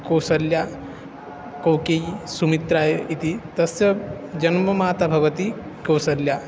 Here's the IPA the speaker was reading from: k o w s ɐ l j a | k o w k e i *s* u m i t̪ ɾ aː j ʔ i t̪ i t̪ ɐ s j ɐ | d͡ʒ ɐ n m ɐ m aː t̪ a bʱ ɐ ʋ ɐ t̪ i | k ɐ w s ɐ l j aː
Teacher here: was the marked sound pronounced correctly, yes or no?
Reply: yes